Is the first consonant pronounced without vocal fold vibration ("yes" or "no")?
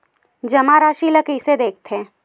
no